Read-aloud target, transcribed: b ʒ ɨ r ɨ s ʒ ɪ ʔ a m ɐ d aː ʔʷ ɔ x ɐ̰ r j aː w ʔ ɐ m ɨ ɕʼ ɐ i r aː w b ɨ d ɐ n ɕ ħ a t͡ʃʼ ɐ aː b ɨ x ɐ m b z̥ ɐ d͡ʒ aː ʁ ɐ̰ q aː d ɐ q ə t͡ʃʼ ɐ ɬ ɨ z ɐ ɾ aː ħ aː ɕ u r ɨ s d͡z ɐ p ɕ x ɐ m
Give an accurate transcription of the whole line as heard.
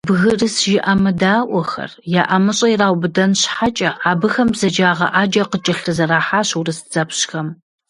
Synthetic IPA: b ɣ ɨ r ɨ s ʒ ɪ ʔ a m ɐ d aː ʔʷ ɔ x ɐ̰ r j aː ʔ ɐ m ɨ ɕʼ ɐ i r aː w b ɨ d ɐ n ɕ ħ a t͡ʃʼ ɐ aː b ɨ x ɐ m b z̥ ɐ d͡ʒ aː ʁ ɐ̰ ʔ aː d͡ʒ ɐ q ə t͡ʃʼ ɐ ɬ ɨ z ɐ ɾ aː ħ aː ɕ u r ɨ s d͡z ɐ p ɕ x ɐ m